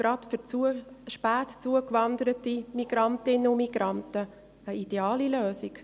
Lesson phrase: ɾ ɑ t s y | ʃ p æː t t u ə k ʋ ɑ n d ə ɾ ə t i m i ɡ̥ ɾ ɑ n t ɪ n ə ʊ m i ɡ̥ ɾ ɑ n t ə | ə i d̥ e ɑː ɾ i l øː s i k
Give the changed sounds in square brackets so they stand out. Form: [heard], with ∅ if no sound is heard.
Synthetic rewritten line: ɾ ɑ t [f] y | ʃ p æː t [t͡s] u ə k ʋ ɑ n d ə ɾ ə t i m i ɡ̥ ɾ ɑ n t ɪ n ə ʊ m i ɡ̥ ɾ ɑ n t ə | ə i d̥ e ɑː [l] i l øː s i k